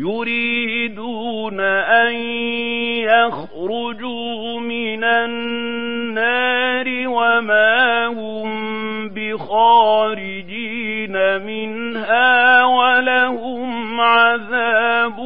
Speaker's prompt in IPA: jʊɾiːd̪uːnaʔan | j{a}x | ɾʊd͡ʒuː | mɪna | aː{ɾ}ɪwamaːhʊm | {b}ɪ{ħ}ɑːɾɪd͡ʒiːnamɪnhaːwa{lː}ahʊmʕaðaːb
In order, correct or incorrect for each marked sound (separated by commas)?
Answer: correct, correct, correct, incorrect, incorrect